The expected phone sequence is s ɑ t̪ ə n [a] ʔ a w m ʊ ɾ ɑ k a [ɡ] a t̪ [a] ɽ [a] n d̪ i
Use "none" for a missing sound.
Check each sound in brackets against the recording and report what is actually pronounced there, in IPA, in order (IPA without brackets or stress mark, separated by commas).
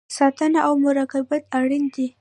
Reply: a, b, a, i